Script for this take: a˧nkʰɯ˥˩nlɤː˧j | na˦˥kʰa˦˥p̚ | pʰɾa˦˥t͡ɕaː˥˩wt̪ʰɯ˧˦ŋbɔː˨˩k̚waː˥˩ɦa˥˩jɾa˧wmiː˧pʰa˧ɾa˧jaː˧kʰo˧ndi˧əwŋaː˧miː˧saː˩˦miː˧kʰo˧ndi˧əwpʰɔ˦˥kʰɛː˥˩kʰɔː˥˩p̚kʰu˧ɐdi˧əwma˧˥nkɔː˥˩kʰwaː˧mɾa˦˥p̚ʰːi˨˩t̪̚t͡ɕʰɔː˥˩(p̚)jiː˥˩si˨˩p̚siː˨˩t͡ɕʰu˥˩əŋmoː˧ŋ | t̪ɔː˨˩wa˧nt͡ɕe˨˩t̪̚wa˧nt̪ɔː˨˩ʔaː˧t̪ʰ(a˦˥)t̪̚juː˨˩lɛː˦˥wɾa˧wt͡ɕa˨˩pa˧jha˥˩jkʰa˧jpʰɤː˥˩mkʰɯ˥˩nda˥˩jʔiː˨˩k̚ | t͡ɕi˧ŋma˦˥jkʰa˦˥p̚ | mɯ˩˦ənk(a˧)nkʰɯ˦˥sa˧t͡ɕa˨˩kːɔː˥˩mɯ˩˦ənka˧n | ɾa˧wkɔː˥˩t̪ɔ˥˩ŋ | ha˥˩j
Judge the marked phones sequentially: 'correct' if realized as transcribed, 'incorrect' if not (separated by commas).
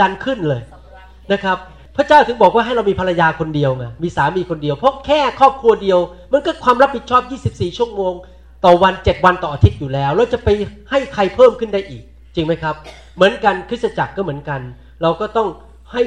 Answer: correct, incorrect, correct